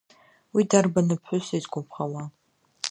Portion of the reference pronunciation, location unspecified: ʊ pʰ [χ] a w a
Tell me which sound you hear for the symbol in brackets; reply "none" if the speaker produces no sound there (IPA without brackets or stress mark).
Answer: χ